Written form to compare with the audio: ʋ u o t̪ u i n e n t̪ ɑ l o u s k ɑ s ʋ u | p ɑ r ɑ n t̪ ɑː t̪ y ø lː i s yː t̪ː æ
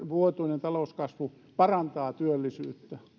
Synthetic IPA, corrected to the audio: ʋ u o t̪ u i n e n t̪ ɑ l o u s k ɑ s ʋ u | p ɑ r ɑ n t̪ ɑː t̪ y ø lː i s yː t̪ː æ